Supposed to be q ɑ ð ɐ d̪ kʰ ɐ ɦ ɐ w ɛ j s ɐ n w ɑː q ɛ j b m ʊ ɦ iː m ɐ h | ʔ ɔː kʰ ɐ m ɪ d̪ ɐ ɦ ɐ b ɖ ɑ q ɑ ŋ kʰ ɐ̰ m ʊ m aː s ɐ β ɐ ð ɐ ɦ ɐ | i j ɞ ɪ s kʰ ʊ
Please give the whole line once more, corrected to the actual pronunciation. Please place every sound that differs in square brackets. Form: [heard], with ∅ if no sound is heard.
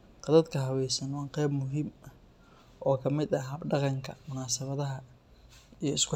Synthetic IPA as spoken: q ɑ ð ɐ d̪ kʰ ɐ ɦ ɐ w ɛ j s ɐ n w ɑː q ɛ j b m ʊ ɦ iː m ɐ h | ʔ ɔː kʰ ɐ m ɪ d̪ ɐ ɦ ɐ b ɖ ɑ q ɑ ŋ kʰ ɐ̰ m ʊ [n] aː s ɐ β ɐ ð ɐ ɦ ɐ | i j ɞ ɪ s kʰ ʊ

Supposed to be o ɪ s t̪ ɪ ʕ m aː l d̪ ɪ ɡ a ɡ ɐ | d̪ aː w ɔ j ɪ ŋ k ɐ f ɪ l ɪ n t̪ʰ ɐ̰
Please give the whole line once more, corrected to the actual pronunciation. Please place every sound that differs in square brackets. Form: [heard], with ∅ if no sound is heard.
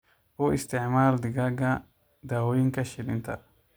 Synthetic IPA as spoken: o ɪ s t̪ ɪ ʕ m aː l d̪ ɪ ɡ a ɡ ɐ | d̪ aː w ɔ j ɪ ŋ k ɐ [ʃ] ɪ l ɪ n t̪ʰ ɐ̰

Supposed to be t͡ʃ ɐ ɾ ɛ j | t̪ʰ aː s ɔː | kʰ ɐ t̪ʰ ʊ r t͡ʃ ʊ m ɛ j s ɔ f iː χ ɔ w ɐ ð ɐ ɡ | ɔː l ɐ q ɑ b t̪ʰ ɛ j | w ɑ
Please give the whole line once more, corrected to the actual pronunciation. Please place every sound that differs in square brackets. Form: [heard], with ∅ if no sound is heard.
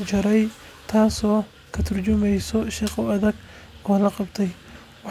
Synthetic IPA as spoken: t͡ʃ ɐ ɾ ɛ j | t̪ʰ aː s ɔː | kʰ ɐ t̪ʰ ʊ r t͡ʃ ʊ m ɛ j s ɔ [ʃ] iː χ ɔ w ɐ ð ɐ ɡ | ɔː l ɐ q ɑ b t̪ʰ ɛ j | w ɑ

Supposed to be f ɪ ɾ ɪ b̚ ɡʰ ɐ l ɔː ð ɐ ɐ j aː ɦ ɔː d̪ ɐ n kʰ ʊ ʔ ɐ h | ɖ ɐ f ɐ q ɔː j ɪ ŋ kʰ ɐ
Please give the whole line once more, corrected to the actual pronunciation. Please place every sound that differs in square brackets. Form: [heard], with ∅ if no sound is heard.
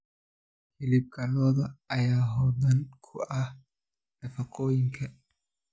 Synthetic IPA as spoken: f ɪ [l] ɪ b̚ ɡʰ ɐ l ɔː ð ɐ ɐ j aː ɦ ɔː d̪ ɐ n kʰ ʊ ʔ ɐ h | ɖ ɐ f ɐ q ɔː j ɪ ŋ kʰ ɐ

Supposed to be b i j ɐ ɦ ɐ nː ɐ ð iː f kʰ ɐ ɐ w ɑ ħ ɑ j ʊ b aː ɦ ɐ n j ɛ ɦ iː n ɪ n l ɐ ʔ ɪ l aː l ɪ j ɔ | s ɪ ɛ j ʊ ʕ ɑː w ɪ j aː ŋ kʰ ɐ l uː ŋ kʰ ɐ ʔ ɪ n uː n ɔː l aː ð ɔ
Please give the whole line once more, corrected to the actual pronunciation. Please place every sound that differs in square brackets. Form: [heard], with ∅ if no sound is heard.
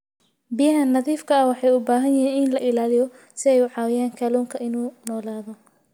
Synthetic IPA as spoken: b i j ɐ ɦ ɐ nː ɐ ð iː f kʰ ɐ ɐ w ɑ ħ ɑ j ʊ b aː ɦ ɐ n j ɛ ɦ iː n ɪ n l ɐ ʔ ɪ l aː l ɪ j ɔ | s ɪ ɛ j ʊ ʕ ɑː w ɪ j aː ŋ kʰ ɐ l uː ŋ kʰ ɐ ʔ ɪ n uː n ɔː l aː ð ɔ

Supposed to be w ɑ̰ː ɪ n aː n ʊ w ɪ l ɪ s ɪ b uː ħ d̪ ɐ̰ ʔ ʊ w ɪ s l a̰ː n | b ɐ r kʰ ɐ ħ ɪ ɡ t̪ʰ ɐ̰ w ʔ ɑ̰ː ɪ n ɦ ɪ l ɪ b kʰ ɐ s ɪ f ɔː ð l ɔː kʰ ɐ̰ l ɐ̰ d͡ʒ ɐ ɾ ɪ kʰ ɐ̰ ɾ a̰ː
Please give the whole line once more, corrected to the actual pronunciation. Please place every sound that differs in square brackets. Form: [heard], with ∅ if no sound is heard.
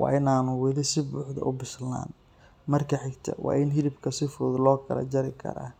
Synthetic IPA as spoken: w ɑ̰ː ɪ n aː n ʊ w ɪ l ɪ s ɪ b uː ħ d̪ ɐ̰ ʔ ʊ [b] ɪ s l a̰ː n | [m] ɐ r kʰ ɐ ħ ɪ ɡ t̪ʰ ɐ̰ w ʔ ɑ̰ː ɪ n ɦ ɪ l ɪ b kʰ ɐ s ɪ f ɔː ð l ɔː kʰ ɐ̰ l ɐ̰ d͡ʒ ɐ ɾ ɪ kʰ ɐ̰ ɾ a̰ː

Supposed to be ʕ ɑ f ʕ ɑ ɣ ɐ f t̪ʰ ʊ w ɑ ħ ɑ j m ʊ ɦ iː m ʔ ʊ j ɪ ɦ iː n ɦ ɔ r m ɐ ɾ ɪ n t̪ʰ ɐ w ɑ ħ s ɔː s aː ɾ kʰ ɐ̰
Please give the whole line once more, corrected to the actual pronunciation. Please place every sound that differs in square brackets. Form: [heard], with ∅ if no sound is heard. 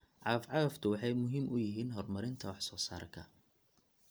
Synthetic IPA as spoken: ʕ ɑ f ʕ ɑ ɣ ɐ f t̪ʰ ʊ w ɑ ħ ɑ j m ʊ ɦ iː m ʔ ʊ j ɪ ɦ iː n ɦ ɔ r m ɐ ɾ ɪ n t̪ʰ ɐ w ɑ ħ s ɔː s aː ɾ kʰ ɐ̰

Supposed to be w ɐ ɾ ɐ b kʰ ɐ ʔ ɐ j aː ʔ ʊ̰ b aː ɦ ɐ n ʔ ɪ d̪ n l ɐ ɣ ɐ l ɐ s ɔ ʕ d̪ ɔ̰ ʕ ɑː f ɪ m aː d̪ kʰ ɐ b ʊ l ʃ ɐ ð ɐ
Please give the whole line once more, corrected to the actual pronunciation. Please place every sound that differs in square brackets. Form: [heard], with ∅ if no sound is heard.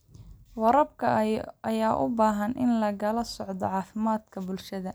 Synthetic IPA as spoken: w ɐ ɾ ɐ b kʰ ɐ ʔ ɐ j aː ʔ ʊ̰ b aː ɦ ɐ n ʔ ɪ [∅] n l ɐ ɣ ɐ l ɐ s ɔ ʕ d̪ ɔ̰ ʕ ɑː f ɪ m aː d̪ kʰ ɐ b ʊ l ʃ ɐ ð ɐ

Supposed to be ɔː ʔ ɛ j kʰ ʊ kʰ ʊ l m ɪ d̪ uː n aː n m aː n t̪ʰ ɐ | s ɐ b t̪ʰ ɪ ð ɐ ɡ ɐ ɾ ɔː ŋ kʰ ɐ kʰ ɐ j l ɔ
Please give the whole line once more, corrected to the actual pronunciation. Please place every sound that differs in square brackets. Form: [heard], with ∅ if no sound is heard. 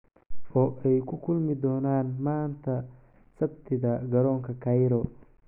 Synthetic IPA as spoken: ɔː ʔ ɛ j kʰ ʊ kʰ ʊ l m ɪ d̪ [ɔː] n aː n m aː n t̪ʰ ɐ | s ɐ b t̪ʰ ɪ ð ɐ ɡ ɐ ɾ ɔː ŋ kʰ ɐ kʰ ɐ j [ɾ] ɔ

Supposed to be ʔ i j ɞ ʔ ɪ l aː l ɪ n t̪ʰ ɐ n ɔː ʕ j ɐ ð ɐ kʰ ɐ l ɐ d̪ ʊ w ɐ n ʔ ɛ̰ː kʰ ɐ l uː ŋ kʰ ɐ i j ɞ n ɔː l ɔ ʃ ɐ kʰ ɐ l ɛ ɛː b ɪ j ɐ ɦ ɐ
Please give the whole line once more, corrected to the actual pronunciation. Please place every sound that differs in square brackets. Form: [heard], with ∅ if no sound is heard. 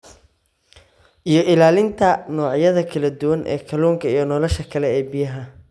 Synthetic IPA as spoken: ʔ i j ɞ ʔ ɪ l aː l ɪ n t̪ʰ ɐ n ɔː ʕ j ɐ ð ɐ kʰ ɐ l ɐ d̪ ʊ w ɐ n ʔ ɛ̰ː kʰ ɐ l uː ŋ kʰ ɐ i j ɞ n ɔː l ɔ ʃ ɐ kʰ ɐ l ɛ ɛː b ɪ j ɐ ɦ ɐ

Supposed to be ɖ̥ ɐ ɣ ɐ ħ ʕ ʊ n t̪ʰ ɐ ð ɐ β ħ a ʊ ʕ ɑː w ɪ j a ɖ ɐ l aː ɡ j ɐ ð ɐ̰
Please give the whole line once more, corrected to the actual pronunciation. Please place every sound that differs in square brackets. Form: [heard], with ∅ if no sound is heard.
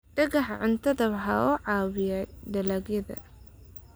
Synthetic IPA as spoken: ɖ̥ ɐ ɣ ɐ ħ ʕ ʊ n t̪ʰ ɐ ð ɐ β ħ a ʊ ʕ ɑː w ɪ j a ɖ ɐ l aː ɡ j ɐ ð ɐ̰

